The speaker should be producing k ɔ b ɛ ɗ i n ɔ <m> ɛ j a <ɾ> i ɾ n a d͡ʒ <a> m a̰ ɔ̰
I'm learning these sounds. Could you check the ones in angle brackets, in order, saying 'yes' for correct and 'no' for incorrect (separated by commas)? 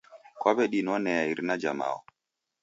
no, no, yes